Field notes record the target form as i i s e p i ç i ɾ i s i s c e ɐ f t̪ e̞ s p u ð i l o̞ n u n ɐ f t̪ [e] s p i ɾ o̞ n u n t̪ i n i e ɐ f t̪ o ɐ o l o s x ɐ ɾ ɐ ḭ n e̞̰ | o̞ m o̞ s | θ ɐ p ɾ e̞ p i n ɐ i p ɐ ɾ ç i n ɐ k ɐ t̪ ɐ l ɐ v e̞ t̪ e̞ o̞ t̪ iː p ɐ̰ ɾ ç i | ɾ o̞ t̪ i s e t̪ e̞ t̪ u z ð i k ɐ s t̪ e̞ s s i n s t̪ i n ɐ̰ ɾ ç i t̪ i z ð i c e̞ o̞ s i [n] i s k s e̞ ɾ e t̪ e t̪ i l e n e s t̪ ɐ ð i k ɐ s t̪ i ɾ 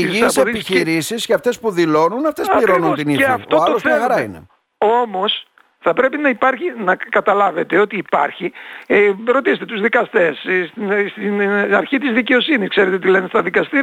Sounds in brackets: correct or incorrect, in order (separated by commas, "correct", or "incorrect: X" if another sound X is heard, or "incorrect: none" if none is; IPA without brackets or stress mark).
correct, correct